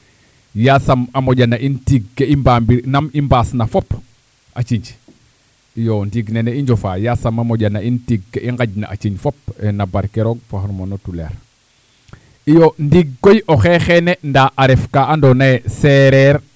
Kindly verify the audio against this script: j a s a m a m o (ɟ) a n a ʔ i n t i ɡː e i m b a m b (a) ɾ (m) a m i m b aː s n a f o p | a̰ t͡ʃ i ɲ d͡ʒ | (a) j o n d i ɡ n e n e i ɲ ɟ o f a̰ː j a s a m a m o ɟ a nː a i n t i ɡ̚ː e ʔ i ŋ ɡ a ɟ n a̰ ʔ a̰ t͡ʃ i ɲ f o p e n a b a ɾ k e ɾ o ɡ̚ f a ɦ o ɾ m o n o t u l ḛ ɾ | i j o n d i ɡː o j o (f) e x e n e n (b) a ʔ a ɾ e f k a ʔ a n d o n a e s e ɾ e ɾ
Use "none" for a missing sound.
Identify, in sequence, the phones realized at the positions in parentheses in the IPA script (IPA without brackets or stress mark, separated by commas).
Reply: ɟ, i, n, i, x, d